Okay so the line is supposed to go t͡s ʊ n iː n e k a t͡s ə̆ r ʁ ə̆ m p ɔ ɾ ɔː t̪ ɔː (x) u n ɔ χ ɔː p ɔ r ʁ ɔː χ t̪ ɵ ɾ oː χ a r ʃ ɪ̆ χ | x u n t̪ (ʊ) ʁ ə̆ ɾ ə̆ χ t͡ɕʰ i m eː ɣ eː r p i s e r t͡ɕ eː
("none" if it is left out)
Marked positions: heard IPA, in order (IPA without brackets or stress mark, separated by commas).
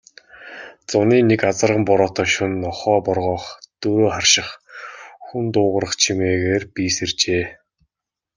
ʃ, ʊː